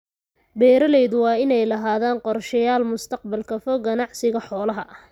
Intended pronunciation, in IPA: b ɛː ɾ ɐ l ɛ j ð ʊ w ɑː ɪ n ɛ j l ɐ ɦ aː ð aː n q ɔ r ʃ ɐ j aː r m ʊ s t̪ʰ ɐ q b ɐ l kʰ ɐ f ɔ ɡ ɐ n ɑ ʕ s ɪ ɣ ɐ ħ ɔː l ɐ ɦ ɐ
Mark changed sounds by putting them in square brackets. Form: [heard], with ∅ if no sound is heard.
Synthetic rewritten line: b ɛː ɾ ɐ l ɛ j ð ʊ w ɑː ɪ n ɛ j l ɐ ɦ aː ð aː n q ɔ r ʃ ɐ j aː [l] m ʊ s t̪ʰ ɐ q b ɐ l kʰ ɐ f ɔ ɡ ɐ n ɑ ʕ s ɪ ɣ ɐ ħ ɔː l ɐ ɦ ɐ